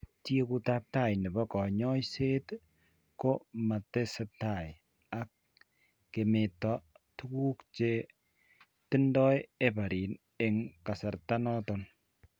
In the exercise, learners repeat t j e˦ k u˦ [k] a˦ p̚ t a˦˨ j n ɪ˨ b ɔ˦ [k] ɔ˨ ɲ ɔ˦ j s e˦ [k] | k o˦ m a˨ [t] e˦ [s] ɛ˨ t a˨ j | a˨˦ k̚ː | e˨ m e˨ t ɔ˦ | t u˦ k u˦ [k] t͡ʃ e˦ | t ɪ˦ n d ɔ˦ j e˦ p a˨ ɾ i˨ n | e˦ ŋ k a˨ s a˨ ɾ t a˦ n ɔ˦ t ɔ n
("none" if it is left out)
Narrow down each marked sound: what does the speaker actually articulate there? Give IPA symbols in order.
t, k, t, t, s, k

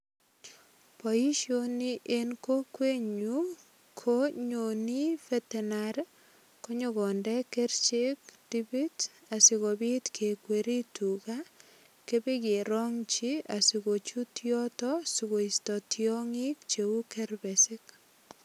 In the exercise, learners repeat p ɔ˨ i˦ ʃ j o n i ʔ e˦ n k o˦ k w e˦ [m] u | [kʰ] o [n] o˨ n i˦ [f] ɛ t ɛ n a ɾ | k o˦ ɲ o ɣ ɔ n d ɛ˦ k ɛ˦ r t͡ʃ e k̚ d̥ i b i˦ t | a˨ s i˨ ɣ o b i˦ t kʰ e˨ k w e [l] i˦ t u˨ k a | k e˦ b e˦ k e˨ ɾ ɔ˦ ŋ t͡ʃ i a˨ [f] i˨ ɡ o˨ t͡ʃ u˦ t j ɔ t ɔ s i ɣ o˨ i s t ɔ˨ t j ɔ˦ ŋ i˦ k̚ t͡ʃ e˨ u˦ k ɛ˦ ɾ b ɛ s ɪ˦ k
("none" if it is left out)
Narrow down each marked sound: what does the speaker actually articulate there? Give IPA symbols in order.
ɲ, kʰ, ɲ, f, ɾ, s

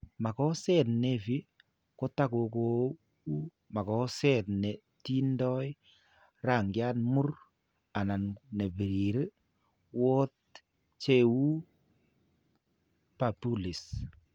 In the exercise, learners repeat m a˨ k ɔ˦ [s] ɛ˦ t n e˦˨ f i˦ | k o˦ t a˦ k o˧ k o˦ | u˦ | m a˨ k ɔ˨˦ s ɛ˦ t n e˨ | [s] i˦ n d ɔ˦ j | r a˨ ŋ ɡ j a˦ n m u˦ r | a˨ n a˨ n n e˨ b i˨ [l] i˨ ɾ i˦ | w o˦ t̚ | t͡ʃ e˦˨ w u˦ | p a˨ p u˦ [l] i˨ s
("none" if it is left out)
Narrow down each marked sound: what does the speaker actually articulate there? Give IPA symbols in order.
s, t, ɾ, l

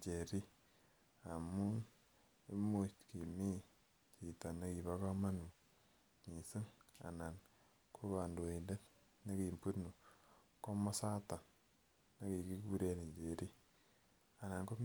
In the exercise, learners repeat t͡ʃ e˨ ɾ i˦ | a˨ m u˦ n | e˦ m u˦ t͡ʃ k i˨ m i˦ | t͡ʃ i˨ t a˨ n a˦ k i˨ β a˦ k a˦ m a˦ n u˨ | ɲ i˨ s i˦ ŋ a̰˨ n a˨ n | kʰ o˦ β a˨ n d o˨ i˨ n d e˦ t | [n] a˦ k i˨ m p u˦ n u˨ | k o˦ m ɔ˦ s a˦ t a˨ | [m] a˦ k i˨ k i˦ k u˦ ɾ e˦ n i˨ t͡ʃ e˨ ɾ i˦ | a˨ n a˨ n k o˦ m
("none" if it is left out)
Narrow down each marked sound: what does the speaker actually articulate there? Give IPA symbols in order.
n, n

